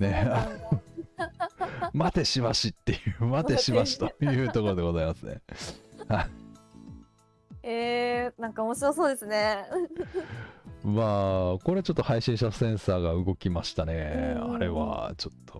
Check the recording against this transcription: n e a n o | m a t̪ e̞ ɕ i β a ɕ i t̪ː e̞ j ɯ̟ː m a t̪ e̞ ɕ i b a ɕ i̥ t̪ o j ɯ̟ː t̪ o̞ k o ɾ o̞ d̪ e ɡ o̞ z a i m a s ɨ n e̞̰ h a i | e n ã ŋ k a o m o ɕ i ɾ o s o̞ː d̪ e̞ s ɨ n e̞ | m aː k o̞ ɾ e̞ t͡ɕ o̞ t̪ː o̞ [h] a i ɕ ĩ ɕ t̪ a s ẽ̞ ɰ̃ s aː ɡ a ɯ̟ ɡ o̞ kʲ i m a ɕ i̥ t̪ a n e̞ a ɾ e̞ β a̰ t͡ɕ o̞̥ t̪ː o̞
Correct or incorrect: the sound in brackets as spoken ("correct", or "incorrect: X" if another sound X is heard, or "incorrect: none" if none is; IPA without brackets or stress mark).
correct